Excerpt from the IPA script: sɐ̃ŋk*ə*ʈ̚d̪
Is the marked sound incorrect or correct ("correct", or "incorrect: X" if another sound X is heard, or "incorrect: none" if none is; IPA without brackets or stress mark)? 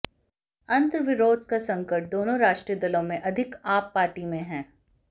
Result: correct